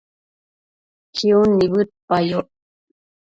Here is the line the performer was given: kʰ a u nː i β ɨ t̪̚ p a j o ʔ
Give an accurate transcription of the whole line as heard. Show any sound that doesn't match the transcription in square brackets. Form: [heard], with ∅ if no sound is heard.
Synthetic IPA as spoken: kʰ [i] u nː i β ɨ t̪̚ p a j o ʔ